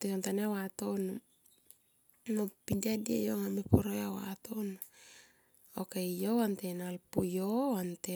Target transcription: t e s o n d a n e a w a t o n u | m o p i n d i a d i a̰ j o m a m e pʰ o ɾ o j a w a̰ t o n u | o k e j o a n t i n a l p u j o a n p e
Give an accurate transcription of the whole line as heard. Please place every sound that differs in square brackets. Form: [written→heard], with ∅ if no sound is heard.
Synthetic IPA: t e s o n [d→t] a n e a w a t o n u | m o p i n d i a d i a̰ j o [m→ŋ] a m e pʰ o ɾ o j a w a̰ t o n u | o k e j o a n t [i→e] n a l p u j o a n [p→t] e